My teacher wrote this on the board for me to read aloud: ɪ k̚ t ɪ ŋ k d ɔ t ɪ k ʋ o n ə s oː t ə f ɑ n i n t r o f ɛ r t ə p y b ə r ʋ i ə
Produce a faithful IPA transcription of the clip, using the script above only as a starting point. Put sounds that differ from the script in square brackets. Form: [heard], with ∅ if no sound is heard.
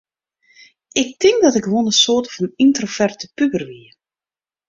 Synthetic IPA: ɪ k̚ t ɪ ŋ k d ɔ t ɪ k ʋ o n ə s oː t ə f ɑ n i n t r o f ɛ r t ə p y b ə r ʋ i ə